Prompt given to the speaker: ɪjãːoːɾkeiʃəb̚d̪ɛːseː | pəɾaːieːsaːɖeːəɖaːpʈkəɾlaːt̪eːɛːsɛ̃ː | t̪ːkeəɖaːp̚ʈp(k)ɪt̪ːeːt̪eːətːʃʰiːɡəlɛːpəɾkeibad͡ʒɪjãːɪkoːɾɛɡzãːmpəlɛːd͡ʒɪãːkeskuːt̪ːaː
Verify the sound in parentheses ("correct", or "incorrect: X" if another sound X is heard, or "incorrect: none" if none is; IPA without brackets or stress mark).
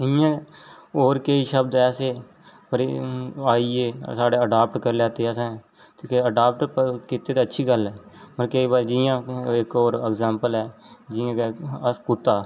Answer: correct